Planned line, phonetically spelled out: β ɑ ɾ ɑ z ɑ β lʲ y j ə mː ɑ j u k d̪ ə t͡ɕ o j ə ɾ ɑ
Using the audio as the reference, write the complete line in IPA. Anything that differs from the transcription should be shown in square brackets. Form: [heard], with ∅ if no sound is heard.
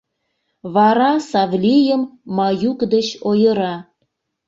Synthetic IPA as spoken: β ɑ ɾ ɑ [s] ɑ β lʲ [i] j ə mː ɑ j u k d̪ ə t͡ɕ o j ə ɾ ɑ